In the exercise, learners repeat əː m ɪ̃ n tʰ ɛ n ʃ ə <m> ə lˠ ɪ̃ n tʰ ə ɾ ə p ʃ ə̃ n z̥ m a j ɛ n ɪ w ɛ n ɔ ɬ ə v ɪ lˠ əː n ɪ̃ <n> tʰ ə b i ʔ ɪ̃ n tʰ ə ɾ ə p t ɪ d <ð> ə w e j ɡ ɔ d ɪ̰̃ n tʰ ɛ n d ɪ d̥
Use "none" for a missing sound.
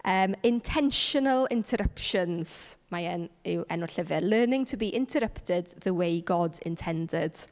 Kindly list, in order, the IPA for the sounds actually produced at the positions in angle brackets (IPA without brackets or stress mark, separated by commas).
n, ŋ, ð